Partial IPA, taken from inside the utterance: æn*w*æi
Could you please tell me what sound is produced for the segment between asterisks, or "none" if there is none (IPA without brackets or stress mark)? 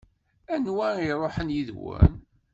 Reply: w